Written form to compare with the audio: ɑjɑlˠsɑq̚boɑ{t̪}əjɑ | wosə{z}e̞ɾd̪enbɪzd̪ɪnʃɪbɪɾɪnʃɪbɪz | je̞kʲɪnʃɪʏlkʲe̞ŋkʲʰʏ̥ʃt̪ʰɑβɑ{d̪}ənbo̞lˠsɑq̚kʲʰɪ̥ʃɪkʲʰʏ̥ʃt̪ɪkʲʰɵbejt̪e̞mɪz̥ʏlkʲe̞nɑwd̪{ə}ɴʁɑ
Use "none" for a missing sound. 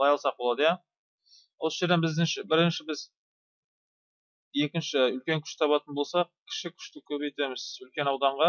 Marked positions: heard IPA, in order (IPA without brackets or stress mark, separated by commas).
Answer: d̪, ʒ, t̪, ɑ